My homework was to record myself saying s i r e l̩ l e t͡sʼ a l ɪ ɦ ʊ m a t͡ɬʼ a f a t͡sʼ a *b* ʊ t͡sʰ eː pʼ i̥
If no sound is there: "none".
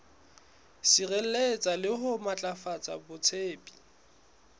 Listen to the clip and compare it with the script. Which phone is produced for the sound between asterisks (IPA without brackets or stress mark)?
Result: b